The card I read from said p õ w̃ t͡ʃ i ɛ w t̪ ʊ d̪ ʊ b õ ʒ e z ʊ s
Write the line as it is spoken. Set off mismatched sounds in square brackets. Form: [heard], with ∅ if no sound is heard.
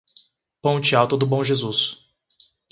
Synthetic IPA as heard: p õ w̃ t͡ʃ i [a] w t̪ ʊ d̪ ʊ b õ ʒ e z [u] s